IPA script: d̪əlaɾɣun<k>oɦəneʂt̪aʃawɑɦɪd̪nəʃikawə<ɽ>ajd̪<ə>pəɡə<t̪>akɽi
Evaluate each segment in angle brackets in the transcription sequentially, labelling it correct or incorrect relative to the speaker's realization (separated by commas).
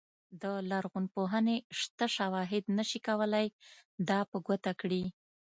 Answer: incorrect, incorrect, incorrect, correct